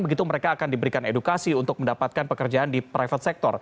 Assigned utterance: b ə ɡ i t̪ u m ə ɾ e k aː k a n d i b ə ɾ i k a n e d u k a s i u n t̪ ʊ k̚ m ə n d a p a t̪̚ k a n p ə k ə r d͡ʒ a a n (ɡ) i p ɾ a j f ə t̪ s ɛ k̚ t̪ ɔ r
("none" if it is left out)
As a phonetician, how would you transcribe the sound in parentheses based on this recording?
d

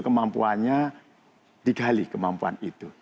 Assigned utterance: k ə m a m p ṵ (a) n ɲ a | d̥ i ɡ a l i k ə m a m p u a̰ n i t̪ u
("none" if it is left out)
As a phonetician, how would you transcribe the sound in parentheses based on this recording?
a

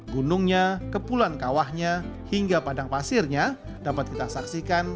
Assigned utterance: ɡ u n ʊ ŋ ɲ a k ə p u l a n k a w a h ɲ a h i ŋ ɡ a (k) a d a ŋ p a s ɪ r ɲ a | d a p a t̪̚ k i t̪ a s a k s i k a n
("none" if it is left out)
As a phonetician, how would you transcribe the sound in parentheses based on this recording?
p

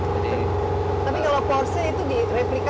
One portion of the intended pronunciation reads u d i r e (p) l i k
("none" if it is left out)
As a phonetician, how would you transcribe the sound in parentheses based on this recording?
p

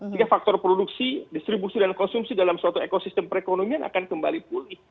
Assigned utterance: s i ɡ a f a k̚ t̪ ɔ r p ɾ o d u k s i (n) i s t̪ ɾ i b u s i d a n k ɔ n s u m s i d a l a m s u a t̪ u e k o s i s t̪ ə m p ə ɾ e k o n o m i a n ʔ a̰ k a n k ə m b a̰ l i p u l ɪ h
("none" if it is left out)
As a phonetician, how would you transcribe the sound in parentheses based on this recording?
d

